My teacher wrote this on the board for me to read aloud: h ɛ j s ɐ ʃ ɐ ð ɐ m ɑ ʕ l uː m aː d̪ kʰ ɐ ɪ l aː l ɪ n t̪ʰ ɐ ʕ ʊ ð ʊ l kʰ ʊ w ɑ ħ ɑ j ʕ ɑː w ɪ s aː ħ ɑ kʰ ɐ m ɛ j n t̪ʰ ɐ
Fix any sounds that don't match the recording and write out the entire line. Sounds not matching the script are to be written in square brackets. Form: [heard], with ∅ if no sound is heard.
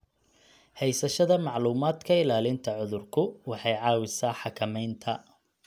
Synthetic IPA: h ɛ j s ɐ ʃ ɐ ð ɐ m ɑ ʕ l uː m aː d̪ kʰ ɐ ɪ l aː l ɪ n t̪ʰ ɐ ʕ ʊ ð ʊ [r] kʰ ʊ w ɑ ħ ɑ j ʕ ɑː w ɪ s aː ħ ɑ kʰ ɐ m ɛ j n t̪ʰ ɐ